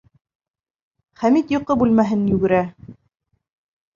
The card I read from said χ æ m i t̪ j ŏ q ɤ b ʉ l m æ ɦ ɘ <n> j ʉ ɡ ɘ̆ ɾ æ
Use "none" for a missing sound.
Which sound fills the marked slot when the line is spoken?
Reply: n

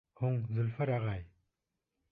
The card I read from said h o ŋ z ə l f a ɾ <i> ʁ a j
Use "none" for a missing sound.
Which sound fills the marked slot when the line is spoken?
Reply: a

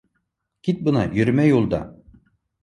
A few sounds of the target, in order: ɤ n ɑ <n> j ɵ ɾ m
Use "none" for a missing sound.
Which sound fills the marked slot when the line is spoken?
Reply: none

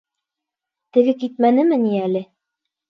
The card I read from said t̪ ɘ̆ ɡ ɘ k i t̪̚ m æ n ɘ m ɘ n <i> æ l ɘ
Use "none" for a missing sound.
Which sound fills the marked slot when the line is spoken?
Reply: i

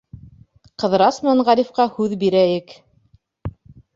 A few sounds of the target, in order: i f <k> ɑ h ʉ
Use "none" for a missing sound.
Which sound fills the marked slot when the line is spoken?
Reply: q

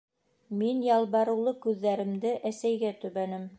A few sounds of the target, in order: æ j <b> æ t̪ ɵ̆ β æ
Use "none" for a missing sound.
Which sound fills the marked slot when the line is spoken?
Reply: ɡ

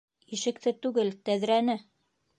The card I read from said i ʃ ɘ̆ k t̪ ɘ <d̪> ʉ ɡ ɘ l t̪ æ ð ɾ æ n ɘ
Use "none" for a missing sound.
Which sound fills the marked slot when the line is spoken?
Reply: t̪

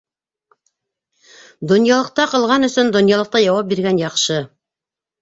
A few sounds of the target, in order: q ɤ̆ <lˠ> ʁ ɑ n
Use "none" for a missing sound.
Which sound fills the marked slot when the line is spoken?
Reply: lˠ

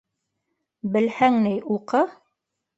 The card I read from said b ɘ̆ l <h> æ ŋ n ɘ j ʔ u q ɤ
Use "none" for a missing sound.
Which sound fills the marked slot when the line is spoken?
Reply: h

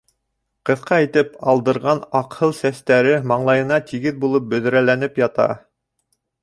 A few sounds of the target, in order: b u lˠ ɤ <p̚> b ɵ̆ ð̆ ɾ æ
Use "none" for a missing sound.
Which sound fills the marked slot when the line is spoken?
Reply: p̚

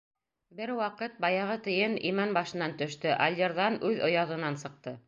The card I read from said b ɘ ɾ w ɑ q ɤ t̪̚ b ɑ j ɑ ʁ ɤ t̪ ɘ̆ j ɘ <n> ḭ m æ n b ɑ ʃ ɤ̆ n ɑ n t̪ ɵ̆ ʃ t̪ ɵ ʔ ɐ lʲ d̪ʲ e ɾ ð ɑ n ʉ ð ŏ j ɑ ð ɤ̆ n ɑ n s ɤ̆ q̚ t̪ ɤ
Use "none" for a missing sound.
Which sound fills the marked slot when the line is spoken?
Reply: n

